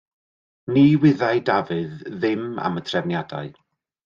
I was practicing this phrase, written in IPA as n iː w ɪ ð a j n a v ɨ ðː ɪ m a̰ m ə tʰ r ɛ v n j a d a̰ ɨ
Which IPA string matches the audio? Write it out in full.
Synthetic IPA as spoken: n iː w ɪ ð a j d a v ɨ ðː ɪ m a̰ m ə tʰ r ɛ v n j a d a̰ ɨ